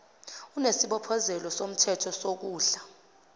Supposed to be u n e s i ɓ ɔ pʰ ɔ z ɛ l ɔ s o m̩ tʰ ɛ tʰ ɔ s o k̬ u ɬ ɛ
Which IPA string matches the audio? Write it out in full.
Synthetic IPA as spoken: u n e s i ɓ ɔ pʰ ɔ z ɛ l ɔ s o m̩ tʰ ɛ tʰ ɔ s o k̬ uː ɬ a